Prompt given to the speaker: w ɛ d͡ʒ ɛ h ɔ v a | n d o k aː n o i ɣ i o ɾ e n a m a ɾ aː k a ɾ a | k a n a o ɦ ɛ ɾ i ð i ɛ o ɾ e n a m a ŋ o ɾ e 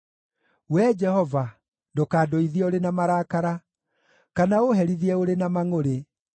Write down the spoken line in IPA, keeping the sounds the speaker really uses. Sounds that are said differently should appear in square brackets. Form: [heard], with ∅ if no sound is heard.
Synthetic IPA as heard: w ɛ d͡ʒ ɛ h ɔ v a | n d o k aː [d] o i [ð] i o ɾ e n a m a ɾ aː k a ɾ a | k a n a o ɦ ɛ ɾ i ð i ɛ o ɾ e n a m a ŋ o ɾ e